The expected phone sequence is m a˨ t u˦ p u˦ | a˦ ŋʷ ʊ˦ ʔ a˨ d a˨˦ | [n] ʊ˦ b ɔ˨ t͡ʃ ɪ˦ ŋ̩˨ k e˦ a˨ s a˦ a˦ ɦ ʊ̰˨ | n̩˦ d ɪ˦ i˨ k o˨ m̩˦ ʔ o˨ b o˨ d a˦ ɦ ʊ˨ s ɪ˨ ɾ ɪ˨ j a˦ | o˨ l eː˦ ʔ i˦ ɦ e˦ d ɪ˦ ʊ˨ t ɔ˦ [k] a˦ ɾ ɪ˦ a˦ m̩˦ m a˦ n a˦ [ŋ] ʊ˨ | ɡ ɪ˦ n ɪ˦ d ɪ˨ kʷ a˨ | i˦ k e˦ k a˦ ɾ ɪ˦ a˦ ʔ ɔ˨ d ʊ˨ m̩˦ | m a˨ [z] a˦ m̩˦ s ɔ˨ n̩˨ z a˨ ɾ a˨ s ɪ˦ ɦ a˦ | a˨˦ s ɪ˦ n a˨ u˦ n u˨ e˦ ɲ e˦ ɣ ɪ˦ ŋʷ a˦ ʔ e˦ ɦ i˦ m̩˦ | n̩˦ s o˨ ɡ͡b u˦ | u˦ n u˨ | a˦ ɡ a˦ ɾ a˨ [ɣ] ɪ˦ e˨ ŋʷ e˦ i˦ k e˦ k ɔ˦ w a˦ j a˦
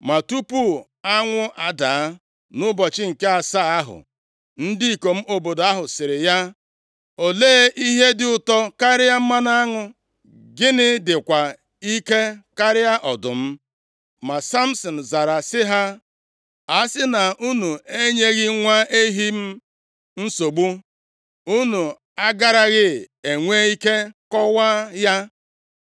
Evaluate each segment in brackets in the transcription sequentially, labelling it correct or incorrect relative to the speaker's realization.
correct, correct, correct, incorrect: s, correct

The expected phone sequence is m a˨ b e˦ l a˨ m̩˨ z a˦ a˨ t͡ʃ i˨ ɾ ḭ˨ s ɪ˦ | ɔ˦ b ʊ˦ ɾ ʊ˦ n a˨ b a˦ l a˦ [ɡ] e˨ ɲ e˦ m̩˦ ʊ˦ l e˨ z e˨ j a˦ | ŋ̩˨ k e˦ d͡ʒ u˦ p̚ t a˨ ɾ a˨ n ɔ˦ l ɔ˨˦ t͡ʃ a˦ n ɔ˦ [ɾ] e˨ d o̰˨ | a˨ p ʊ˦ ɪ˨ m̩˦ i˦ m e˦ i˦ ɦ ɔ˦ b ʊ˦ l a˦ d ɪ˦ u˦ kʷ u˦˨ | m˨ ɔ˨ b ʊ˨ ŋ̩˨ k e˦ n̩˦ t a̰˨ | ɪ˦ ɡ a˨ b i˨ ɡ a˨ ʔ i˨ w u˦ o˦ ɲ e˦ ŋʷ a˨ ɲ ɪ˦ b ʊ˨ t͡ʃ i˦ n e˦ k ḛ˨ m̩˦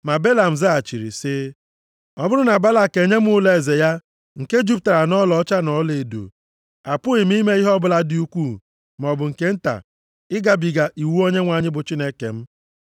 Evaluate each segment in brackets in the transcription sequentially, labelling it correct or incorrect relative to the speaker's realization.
incorrect: k, incorrect: l

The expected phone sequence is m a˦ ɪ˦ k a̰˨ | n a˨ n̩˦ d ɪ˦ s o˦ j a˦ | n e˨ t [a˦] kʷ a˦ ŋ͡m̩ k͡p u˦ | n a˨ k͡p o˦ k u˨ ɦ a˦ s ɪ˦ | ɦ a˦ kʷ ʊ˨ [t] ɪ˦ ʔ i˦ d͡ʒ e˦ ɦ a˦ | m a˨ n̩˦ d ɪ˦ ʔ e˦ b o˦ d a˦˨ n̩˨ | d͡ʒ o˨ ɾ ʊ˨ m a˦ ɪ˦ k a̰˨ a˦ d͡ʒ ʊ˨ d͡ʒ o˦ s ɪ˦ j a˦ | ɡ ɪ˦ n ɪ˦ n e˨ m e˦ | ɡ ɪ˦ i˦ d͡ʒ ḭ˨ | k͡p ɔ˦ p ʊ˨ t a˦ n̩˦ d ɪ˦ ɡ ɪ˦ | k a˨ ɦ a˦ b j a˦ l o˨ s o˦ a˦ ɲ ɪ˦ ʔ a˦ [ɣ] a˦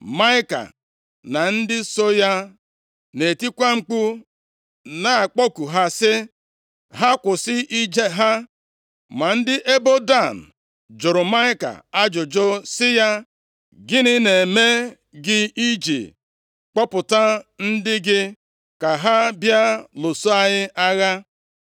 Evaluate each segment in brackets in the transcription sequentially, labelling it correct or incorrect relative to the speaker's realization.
incorrect: i˦, incorrect: s, correct

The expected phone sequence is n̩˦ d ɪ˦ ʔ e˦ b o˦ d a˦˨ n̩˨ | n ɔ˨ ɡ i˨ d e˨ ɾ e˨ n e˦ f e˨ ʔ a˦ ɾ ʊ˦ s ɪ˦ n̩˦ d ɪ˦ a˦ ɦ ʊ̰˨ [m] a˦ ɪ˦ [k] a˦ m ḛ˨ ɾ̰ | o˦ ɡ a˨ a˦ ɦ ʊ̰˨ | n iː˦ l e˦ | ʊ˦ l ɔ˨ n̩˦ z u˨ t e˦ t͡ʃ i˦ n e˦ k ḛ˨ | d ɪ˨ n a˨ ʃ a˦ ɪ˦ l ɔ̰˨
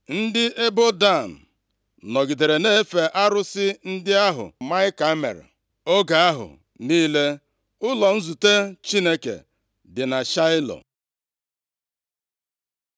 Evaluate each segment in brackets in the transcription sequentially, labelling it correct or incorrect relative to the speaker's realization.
correct, correct

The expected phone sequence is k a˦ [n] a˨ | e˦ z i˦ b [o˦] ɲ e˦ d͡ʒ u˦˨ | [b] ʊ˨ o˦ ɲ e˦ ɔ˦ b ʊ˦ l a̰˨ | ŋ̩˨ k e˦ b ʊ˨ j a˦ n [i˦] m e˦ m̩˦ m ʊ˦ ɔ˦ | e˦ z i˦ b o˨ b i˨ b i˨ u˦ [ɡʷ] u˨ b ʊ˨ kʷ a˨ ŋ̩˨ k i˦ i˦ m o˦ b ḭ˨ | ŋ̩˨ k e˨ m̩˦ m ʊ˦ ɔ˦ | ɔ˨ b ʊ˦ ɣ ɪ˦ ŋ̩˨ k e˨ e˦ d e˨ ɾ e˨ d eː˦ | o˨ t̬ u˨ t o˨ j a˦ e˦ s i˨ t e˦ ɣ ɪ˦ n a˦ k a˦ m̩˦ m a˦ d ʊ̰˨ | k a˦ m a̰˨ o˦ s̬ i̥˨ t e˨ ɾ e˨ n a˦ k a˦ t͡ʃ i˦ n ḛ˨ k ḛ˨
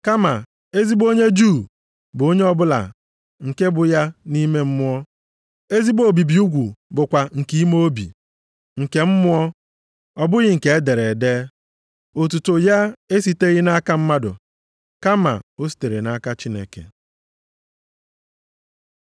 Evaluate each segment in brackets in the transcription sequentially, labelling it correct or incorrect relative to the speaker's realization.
incorrect: m, correct, correct, correct, correct

